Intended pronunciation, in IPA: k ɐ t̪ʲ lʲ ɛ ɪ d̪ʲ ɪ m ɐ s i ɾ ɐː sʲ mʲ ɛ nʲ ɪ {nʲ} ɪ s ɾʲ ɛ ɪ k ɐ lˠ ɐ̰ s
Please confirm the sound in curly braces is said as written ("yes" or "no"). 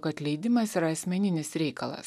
yes